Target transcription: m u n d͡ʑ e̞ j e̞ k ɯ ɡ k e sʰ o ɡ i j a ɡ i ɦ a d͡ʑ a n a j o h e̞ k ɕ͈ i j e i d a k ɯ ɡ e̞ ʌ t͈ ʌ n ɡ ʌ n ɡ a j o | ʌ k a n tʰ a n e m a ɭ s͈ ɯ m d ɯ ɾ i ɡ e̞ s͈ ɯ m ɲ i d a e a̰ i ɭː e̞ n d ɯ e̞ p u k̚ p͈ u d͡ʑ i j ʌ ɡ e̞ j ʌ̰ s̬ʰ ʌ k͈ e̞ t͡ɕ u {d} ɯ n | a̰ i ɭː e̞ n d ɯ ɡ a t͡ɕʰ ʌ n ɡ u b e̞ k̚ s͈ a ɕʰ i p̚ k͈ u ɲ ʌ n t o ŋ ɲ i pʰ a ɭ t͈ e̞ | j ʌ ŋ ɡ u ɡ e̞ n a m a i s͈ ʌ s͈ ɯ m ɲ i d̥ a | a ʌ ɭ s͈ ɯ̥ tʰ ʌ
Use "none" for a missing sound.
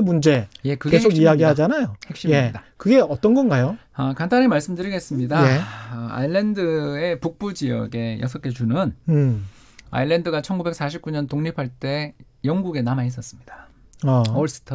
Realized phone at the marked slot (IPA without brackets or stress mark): n